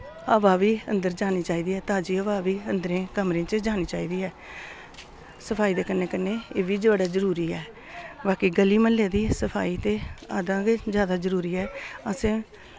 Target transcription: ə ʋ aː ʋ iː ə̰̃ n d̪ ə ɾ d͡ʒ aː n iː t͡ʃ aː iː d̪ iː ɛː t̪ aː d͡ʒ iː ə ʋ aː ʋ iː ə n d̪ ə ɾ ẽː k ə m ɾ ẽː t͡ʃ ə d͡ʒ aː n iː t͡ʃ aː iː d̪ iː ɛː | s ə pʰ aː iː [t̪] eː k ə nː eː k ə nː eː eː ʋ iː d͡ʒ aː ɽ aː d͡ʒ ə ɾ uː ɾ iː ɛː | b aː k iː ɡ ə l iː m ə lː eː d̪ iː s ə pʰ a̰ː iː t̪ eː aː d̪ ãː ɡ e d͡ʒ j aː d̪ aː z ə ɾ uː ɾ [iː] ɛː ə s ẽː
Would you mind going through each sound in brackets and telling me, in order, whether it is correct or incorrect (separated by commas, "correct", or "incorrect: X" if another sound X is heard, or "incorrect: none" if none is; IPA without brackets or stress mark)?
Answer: incorrect: d̪, correct